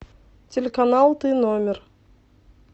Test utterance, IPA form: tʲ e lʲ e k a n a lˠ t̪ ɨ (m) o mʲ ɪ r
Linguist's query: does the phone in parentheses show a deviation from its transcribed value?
yes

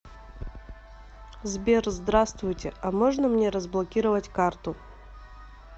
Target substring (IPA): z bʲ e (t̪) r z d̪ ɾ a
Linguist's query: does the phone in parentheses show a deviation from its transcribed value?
yes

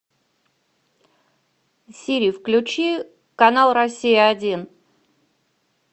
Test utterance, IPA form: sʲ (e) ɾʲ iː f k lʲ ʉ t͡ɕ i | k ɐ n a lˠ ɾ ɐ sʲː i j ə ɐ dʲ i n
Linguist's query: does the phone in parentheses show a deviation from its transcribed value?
yes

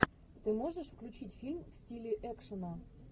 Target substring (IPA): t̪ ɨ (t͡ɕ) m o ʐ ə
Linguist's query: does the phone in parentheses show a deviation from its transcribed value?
yes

